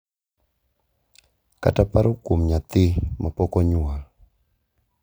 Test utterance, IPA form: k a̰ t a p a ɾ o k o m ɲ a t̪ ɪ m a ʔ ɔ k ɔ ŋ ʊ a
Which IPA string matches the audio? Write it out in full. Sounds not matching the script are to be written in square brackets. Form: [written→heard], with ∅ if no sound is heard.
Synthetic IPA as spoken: k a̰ t a p a ɾ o k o m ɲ a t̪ ɪ m a [ʔ→p] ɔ k ɔ [ŋ→ɲ] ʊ a